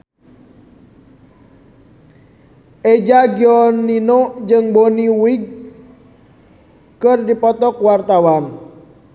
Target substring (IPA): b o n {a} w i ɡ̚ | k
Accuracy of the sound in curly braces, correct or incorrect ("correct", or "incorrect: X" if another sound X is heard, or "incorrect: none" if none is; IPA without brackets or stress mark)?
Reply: incorrect: i